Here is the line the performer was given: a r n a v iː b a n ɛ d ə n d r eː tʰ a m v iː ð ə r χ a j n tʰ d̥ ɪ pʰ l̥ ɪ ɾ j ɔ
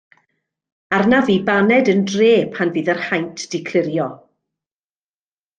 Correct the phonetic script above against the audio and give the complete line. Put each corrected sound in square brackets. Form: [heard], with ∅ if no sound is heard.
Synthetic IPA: a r n a v iː b a n ɛ d ə n d r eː [pʰ] a [n] v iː ð ə r [h] a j n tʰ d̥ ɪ [kʰ] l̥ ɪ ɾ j ɔ